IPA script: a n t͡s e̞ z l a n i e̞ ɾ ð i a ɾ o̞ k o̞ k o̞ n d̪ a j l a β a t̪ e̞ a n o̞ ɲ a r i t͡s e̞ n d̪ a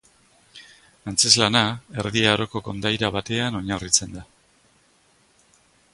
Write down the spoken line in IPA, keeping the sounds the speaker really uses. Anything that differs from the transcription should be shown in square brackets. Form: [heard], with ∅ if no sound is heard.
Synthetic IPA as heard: a n t͡s e̞ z l a n [a] e̞ ɾ ð i a ɾ o̞ k o̞ k o̞ n d̪ a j [ɾ] a β a t̪ e̞ a n o̞ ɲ a r i t͡s e̞ n d̪ a